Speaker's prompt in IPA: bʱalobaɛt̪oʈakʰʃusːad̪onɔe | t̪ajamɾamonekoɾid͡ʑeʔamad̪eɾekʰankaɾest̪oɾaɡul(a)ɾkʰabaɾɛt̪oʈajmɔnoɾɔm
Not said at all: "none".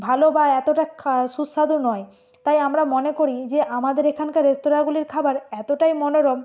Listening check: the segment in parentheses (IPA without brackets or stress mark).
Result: i